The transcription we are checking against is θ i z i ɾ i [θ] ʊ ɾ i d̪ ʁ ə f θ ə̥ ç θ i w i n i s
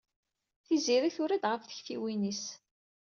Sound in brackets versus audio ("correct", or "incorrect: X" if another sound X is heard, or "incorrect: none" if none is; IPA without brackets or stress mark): correct